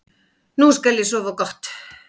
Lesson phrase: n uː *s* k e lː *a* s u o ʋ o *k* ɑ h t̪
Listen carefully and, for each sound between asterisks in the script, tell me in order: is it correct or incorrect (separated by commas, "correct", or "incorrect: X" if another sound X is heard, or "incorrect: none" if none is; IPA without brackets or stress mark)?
correct, incorrect: i, correct